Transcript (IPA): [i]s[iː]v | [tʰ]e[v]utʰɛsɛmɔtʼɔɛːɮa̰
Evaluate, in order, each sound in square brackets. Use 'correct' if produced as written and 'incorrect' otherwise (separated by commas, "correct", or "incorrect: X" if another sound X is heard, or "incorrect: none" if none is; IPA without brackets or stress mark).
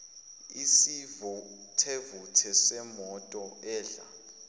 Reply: correct, incorrect: i, correct, correct